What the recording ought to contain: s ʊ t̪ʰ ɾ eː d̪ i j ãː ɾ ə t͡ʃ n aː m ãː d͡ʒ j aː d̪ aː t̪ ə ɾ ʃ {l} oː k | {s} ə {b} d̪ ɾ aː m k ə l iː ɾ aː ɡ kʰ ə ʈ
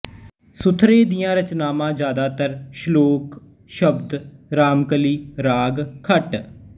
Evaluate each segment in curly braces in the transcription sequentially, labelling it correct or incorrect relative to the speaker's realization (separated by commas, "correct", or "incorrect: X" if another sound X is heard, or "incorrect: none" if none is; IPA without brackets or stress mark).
correct, incorrect: ʃ, correct